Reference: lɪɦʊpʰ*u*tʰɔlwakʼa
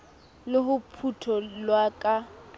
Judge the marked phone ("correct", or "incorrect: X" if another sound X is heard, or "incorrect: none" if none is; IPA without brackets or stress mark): correct